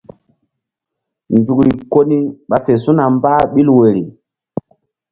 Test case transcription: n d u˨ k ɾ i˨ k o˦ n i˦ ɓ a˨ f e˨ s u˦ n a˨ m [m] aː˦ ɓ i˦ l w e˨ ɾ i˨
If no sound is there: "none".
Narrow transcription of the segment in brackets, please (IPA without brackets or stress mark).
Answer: b